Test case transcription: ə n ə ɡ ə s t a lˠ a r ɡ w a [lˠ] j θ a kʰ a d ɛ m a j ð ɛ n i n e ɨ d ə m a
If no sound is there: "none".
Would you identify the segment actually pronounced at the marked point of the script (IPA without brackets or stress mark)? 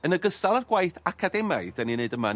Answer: none